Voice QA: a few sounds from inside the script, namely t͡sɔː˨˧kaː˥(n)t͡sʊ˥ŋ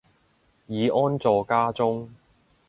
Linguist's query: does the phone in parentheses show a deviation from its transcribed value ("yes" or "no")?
yes